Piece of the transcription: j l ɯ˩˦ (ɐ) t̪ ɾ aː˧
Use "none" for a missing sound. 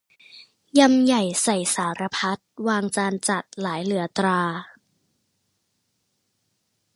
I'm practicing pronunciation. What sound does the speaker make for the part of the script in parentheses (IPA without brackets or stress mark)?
ɐ